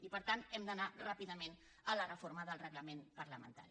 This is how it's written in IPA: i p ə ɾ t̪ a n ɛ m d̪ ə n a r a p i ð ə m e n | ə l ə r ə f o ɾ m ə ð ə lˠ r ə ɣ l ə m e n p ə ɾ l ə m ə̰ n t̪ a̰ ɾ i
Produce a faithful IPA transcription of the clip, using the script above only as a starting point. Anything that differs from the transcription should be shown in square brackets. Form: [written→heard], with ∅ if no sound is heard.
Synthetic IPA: i p ə ɾ t̪ a n ɛ m d̪ ə n a r a p i ð ə m e n | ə l ə r ə f o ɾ m ə ð ə lˠ r ə ɣ l ə m e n p ə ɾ l ə m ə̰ n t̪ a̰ ɾ i